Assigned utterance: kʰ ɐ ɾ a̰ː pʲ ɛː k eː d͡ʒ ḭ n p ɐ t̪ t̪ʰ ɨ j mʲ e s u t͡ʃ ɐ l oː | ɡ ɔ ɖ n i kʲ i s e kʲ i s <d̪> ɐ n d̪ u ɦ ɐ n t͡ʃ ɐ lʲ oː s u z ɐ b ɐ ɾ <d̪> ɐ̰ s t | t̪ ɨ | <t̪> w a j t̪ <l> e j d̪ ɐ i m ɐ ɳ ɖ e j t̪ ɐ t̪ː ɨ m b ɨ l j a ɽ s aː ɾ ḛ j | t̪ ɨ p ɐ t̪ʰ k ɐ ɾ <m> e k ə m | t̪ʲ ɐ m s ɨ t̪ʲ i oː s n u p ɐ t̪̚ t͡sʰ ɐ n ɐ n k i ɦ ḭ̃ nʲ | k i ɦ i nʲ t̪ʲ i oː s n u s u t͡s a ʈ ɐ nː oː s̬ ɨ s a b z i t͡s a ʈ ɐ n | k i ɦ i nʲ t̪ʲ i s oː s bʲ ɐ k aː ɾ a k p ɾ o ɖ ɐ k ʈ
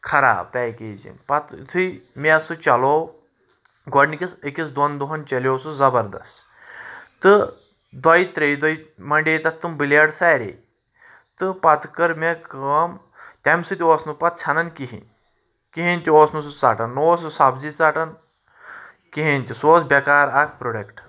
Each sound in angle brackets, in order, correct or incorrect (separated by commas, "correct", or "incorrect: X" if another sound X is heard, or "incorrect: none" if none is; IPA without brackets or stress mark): correct, correct, incorrect: d̪, incorrect: ɾ, correct